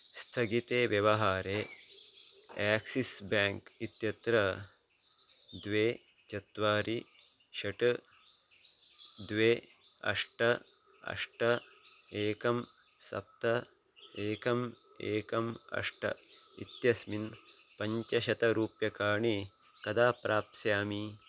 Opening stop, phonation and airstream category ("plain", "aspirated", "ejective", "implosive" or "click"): aspirated